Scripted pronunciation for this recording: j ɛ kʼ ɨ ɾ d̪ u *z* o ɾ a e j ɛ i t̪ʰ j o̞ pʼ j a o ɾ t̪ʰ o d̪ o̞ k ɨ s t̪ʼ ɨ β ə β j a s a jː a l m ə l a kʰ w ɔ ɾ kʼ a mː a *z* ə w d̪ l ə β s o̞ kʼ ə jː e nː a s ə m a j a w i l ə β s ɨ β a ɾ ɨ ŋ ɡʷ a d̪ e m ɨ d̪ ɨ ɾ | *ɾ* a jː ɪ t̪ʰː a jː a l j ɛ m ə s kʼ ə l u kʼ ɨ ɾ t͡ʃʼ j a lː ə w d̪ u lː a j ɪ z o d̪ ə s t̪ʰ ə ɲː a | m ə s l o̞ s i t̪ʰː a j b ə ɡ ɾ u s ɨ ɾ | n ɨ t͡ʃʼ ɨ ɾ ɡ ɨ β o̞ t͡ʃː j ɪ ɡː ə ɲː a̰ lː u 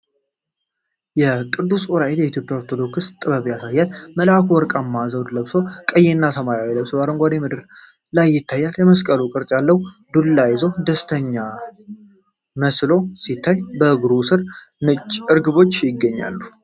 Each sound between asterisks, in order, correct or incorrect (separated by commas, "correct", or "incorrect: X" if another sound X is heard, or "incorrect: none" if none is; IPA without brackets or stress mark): incorrect: s, correct, incorrect: l